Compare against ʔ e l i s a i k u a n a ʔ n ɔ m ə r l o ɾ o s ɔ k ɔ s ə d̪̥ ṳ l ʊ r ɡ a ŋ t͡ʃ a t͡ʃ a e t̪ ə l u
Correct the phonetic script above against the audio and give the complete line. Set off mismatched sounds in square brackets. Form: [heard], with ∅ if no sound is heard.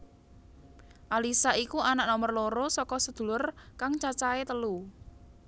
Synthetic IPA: ʔ [a] l i s a i k u a n a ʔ n ɔ m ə r l o ɾ o s ɔ k ɔ s ə d̪̥ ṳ l ʊ r [k] a ŋ t͡ʃ a t͡ʃ a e t̪ ə l u